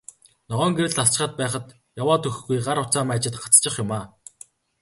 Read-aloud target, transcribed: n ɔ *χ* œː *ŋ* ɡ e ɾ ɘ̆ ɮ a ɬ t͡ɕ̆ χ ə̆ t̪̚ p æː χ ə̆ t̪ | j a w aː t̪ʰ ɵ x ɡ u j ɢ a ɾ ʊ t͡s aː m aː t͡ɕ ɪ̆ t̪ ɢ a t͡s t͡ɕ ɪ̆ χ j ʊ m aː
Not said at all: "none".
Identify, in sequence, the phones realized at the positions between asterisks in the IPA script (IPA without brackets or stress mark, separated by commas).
ʁ, ŋ